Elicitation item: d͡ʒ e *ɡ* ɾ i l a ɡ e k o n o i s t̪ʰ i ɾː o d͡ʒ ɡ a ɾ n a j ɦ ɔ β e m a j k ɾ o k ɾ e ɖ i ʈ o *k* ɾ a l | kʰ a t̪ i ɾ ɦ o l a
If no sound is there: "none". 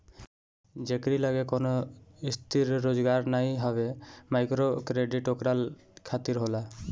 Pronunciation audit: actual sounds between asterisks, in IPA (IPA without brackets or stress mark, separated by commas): k, k